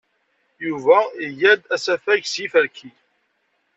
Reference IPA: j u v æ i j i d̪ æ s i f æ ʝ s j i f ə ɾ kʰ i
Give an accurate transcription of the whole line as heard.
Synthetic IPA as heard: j u v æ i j æ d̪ æ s æ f æ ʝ s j i f ə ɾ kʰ i